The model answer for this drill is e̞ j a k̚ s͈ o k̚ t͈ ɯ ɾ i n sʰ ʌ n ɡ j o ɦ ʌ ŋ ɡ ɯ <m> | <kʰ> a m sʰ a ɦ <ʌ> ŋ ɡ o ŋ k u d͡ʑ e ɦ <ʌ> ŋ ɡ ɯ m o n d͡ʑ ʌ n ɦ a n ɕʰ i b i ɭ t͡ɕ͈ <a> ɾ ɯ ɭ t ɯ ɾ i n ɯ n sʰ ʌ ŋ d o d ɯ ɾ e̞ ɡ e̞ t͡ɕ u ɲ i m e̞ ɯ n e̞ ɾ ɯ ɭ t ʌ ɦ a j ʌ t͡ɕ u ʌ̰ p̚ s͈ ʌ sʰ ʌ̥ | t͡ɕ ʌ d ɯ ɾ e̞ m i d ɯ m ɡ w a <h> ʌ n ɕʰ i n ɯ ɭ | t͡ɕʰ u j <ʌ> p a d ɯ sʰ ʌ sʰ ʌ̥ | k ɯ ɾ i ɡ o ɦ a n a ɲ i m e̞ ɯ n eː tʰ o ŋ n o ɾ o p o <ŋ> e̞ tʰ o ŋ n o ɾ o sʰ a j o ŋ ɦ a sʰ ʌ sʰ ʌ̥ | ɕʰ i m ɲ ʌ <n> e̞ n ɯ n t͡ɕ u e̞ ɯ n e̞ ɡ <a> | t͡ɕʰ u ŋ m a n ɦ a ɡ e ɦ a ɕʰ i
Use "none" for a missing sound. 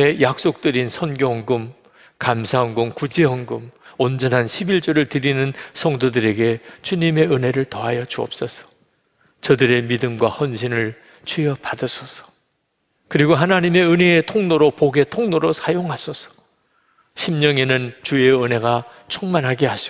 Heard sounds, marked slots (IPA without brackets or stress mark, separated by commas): m, k, ʌ, ʌ, ʌ, h, ʌ, ɡ, ŋ, a